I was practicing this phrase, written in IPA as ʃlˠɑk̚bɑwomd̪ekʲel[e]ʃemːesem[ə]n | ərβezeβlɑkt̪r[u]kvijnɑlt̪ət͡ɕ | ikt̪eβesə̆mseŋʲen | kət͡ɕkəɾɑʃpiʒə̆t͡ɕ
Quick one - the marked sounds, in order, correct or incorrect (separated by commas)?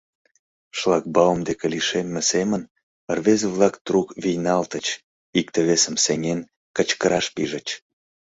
incorrect, correct, correct